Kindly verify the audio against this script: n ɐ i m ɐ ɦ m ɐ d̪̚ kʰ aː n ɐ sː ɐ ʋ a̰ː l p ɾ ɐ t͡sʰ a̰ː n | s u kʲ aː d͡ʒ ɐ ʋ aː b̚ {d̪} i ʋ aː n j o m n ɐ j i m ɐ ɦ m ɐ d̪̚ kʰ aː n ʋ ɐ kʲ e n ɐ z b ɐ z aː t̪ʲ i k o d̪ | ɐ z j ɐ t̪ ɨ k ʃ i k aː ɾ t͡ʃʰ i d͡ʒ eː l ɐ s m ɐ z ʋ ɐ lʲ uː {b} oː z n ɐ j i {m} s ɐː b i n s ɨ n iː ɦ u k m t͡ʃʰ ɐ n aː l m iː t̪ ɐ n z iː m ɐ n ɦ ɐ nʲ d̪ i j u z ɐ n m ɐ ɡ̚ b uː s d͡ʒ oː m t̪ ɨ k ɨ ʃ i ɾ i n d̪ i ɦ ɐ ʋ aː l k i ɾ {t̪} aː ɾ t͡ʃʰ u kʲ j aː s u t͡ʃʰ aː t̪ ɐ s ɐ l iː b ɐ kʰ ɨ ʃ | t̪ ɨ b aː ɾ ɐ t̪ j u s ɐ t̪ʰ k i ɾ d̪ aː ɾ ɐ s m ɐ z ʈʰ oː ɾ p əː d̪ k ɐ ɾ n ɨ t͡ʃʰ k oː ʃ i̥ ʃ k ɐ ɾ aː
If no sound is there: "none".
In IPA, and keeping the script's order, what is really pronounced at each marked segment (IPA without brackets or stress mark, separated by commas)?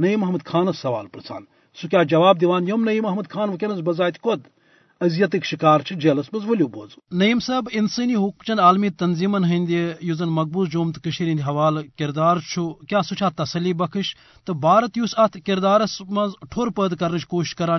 d̪, b, m, d̪